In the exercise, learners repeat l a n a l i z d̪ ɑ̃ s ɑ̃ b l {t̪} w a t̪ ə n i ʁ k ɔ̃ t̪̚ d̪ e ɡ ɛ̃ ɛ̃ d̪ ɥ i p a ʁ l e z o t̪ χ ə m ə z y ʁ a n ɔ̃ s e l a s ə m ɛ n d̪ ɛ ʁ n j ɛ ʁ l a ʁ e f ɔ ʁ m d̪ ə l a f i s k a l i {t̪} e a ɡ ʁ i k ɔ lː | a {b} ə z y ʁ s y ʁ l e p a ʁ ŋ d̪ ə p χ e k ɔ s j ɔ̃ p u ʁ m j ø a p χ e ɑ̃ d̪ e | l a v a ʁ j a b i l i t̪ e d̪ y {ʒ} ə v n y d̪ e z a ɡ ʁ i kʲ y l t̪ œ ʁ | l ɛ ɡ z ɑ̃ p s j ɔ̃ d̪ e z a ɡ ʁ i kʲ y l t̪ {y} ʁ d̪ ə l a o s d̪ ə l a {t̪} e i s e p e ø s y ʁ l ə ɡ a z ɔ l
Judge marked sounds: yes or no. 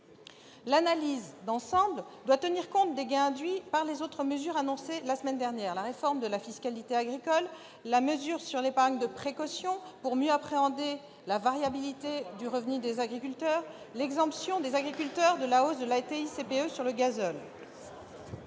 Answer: no, yes, no, no, no, yes

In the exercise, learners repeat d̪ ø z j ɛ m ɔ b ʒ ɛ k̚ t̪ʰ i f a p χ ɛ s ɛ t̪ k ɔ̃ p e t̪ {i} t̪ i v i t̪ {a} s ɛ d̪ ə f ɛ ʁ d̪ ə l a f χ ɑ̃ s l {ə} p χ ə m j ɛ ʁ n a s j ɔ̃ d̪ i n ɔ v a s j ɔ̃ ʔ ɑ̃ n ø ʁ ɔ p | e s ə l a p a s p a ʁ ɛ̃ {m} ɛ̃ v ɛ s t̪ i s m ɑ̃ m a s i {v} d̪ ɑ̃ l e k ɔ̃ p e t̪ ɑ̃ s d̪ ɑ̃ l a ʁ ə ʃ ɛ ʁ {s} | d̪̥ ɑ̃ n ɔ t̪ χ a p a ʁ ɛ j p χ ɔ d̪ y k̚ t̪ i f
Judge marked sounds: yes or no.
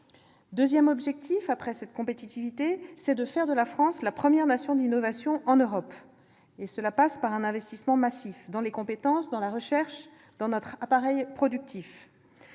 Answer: yes, no, no, no, no, no

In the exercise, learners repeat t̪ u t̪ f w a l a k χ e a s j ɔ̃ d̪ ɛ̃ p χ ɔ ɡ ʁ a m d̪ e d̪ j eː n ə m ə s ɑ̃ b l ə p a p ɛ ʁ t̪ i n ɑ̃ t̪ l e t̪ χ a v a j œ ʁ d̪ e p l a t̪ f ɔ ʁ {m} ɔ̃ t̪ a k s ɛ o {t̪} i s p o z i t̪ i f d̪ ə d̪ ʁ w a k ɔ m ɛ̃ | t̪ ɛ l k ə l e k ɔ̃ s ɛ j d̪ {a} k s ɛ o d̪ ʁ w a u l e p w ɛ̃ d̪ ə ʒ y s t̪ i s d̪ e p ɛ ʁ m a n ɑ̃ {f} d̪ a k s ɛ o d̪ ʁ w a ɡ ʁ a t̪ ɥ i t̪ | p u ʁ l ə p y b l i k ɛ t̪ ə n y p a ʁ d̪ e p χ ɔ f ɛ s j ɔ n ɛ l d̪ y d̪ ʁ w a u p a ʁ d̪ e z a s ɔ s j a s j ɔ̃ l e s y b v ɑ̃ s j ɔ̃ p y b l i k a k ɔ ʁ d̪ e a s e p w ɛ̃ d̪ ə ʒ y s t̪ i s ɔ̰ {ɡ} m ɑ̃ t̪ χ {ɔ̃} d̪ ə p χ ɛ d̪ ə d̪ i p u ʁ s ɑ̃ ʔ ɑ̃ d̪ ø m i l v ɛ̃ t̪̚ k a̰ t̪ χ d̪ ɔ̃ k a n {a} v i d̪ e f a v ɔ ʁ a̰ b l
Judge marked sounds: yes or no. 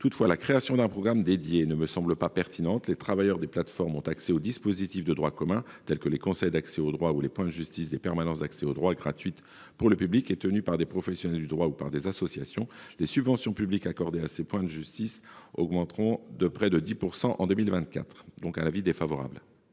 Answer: yes, no, yes, no, yes, yes, yes

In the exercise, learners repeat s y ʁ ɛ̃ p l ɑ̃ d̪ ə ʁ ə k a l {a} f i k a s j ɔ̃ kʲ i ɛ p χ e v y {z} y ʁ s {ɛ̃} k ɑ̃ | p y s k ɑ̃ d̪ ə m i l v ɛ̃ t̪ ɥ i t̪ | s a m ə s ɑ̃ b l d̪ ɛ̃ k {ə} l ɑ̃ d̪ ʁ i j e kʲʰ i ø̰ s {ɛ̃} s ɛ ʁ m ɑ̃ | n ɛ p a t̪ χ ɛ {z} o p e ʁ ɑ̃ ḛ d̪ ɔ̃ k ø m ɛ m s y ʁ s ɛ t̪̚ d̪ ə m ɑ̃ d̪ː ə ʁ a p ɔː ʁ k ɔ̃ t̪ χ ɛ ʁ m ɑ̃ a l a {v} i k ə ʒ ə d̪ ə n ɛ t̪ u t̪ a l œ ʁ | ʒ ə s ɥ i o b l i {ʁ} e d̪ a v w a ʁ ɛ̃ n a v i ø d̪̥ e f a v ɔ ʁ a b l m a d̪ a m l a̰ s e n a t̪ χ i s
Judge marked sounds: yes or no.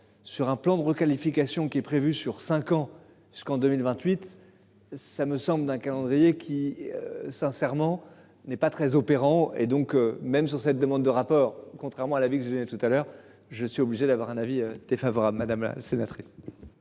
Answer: no, no, yes, no, yes, yes, yes, no

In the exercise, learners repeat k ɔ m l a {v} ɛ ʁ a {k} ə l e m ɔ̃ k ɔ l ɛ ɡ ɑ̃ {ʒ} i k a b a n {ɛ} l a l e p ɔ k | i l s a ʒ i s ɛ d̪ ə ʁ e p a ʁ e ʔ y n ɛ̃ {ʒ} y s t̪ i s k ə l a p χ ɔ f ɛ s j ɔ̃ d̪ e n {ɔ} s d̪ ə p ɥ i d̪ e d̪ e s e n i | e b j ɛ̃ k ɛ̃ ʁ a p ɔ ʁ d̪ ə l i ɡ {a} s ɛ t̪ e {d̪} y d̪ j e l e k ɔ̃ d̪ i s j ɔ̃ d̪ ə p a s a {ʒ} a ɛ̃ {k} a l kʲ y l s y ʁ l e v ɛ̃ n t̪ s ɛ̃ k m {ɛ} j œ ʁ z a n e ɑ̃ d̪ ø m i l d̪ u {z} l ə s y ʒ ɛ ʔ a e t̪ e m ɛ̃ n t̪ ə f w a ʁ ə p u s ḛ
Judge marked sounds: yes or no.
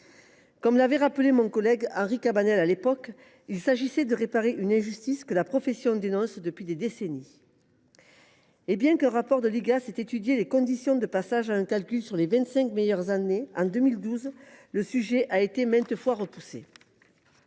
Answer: yes, no, no, yes, yes, no, yes, no, yes, yes, no, yes

